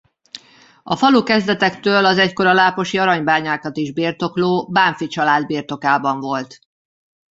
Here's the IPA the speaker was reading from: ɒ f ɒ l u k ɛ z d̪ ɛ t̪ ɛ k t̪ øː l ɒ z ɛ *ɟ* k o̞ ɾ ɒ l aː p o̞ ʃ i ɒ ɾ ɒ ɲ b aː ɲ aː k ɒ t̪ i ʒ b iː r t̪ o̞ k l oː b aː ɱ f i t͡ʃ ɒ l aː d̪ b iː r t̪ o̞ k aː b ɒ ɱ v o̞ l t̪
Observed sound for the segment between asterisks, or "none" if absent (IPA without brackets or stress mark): c